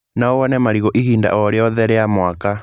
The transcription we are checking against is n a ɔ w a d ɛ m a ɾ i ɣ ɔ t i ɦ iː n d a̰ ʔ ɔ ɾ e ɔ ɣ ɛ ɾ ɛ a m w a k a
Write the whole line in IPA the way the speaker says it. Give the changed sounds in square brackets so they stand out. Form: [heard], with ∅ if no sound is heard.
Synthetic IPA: n a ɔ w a [n] ɛ m a ɾ i ɣ ɔ [ʔ] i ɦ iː n d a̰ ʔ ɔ ɾ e ɔ [ð] ɛ ɾ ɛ a m w a k a